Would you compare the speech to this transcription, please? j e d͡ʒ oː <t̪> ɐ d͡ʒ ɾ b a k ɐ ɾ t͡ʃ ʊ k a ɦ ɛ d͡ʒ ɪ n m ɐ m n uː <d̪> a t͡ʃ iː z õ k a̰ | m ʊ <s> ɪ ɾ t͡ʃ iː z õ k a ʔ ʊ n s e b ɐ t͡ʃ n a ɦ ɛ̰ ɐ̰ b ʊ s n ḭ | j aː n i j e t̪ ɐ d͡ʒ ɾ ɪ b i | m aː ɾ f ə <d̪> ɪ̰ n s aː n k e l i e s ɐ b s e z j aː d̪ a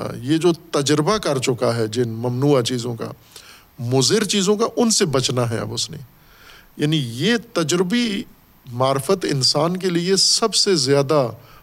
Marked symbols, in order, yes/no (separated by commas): yes, no, no, no